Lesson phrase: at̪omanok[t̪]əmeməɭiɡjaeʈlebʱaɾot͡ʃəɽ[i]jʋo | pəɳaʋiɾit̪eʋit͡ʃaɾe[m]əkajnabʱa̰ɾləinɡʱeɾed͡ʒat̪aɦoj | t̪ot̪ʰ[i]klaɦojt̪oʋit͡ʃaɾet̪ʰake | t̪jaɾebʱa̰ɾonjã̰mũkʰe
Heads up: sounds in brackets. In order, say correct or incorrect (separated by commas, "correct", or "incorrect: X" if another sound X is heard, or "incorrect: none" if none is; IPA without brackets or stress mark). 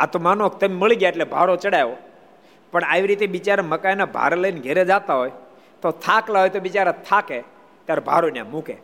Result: correct, incorrect: a, correct, incorrect: a